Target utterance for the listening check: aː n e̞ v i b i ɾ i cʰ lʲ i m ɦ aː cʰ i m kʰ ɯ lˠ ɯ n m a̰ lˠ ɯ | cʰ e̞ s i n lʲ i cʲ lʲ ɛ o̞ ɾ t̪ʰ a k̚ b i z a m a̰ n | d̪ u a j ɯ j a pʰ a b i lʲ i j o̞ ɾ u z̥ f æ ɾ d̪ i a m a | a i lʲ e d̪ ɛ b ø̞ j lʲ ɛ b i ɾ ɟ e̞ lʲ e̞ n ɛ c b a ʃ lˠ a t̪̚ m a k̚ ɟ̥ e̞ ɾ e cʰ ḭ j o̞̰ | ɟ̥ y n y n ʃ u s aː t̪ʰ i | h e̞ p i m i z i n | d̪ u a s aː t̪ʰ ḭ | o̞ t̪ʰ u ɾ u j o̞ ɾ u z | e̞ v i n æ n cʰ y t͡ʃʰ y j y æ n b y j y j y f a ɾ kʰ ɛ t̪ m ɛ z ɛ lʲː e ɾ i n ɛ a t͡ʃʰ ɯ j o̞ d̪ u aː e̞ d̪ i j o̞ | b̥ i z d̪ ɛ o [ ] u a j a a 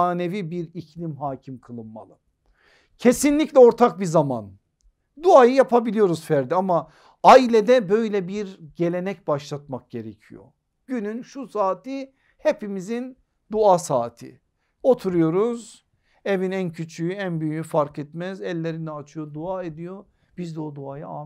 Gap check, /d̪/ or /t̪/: d̪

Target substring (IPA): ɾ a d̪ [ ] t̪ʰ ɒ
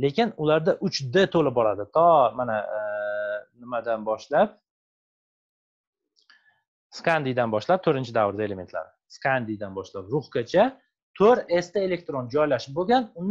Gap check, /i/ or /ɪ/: ɪ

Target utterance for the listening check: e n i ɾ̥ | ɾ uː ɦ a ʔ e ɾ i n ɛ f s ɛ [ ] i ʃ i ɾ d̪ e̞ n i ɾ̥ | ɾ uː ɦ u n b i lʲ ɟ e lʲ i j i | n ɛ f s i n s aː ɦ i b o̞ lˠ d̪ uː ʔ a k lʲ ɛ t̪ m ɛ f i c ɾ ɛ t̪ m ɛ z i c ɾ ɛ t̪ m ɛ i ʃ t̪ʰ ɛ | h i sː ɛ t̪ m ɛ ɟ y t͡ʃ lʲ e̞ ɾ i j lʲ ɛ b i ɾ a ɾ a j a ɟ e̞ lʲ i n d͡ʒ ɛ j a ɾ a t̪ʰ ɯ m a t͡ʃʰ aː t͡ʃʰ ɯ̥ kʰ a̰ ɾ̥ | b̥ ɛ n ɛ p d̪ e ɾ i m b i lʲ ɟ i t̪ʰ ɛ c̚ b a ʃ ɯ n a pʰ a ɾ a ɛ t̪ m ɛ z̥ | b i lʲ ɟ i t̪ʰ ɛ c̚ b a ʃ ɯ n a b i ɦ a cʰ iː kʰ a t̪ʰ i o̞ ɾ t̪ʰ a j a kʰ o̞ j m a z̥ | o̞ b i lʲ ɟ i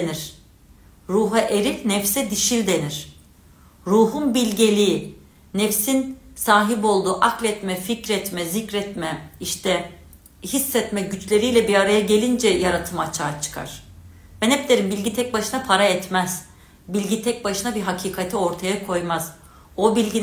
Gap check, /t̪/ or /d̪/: d̪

